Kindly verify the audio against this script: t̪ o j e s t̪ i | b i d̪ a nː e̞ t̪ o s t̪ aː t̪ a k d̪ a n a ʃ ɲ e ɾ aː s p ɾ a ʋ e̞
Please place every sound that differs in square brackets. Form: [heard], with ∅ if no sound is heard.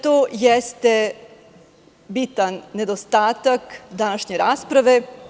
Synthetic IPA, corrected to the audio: t̪ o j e s t̪ [e] | b i [t̪] a nː e̞ [d̪] o s t̪ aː t̪ a k d̪ a n a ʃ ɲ e ɾ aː s p ɾ a ʋ e̞